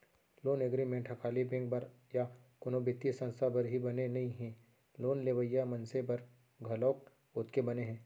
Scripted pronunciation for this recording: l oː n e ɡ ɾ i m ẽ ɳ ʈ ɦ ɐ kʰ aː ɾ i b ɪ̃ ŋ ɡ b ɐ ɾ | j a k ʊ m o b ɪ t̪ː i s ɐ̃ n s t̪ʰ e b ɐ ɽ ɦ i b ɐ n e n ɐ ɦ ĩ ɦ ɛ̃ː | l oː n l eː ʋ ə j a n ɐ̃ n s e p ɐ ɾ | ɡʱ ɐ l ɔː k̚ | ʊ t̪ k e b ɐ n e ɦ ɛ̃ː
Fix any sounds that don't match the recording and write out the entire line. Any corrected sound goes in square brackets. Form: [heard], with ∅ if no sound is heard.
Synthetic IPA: l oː n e ɡ ɾ i m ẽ ɳ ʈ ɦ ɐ kʰ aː [l] i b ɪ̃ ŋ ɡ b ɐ ɾ | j a k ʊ [n] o b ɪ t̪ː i s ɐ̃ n s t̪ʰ [a] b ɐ [ɾ] ɦ i b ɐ n e n ɐ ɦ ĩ ɦ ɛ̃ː | l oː n l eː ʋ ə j a [m] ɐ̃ n s e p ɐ ɾ | ɡʱ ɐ l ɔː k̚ | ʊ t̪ k e b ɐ n e ɦ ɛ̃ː